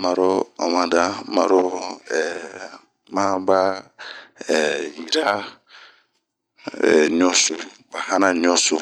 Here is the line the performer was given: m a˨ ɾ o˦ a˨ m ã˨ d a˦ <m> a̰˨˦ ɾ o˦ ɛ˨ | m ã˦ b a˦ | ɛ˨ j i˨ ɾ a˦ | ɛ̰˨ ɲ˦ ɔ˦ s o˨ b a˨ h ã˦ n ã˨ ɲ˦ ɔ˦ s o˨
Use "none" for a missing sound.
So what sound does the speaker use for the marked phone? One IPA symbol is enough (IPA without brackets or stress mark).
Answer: m